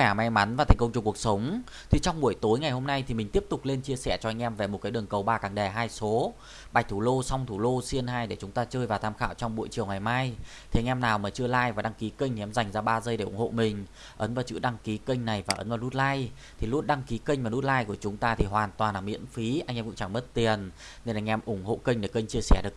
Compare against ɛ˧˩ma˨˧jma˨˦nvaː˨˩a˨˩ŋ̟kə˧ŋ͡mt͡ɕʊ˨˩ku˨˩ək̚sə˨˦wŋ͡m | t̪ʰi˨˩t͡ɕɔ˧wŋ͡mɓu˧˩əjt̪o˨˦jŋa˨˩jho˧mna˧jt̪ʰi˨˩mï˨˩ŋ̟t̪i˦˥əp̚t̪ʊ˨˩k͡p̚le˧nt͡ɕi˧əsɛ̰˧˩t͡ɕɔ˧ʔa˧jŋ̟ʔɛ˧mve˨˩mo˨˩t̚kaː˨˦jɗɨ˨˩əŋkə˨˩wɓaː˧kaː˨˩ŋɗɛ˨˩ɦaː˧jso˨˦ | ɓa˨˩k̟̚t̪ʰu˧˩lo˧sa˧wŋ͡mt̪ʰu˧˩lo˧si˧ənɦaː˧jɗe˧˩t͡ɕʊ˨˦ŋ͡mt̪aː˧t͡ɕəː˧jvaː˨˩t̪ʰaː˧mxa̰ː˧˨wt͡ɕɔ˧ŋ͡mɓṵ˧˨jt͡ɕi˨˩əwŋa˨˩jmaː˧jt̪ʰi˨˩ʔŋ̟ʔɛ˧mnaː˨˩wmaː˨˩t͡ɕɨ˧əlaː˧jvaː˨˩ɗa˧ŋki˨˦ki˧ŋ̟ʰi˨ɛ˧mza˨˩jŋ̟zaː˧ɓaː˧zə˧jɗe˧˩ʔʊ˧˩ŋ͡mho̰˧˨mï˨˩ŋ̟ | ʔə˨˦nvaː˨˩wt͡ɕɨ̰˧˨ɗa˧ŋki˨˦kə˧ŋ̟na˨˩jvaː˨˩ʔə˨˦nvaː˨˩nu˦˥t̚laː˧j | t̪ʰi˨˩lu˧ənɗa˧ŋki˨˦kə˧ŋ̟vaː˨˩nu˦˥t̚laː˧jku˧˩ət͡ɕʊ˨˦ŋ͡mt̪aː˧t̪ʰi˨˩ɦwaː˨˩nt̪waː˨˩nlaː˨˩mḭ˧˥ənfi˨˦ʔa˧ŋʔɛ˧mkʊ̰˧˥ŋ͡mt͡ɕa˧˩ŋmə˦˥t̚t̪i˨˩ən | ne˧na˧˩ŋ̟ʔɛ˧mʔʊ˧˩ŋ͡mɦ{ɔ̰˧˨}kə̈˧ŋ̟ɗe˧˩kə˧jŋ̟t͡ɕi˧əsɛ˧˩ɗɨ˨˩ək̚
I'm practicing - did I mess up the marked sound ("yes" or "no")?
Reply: yes